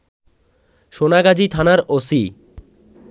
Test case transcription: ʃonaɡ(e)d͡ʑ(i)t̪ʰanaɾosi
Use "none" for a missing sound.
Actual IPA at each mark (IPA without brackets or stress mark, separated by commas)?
a, i